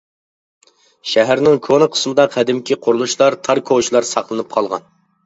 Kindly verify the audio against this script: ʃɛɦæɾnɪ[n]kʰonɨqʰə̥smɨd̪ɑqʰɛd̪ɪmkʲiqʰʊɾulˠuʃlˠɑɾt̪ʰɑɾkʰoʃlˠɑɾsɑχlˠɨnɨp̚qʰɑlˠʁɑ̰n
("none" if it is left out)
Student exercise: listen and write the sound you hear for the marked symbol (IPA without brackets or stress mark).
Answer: ŋ